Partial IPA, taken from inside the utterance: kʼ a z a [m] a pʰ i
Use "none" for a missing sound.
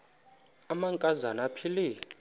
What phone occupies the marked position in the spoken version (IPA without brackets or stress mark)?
n